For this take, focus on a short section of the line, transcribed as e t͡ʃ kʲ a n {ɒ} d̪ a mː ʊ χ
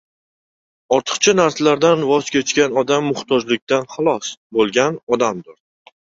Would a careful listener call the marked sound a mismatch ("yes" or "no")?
no